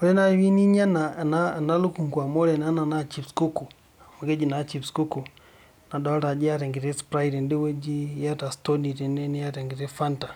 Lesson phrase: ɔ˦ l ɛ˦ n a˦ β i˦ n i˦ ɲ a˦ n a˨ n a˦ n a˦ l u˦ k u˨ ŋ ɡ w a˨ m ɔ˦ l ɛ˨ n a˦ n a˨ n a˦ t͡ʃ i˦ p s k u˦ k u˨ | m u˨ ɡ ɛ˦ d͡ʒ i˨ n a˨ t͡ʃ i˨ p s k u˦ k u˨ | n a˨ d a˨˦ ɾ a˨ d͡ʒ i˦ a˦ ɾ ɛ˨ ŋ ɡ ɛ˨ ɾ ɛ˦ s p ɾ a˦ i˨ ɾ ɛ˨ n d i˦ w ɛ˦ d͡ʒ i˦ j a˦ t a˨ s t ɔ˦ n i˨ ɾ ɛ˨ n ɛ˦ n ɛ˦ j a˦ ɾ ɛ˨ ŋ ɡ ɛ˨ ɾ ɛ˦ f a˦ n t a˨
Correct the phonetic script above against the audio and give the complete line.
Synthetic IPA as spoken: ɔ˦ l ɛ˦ n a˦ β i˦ n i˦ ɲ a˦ n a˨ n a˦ n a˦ l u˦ k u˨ ŋ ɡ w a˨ m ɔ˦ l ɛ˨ n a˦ n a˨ n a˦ t͡ʃ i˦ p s k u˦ k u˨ | m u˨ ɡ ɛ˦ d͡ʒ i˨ n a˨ t͡ʃ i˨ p s k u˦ k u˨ | n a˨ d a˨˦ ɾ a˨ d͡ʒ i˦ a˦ ɾ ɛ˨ ŋ ɡ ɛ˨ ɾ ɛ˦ s p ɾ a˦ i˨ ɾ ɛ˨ n d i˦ w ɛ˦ d͡ʒ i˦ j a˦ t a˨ s t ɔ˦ n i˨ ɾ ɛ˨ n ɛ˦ n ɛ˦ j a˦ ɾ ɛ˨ ŋ ɡ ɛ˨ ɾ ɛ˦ f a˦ n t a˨